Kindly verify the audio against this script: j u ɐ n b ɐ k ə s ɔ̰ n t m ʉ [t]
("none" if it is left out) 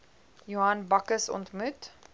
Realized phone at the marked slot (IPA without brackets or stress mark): t